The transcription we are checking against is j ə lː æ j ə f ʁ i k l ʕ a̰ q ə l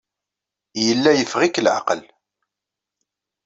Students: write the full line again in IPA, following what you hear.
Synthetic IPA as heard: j ə lː æ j ə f ʁ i k l ʕ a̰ q ə l